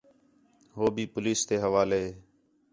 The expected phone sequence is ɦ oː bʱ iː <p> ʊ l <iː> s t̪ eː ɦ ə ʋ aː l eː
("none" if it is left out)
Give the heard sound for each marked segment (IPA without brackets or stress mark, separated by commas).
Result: p, iː